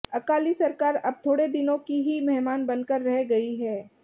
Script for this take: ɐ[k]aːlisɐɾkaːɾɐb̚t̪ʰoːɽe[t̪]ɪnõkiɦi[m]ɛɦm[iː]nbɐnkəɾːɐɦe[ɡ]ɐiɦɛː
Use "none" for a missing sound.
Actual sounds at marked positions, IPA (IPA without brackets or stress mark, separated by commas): k, d̪, m, aː, ɡ